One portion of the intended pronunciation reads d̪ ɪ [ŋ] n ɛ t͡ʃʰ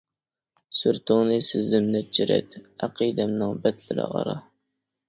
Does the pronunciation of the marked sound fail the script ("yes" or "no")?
yes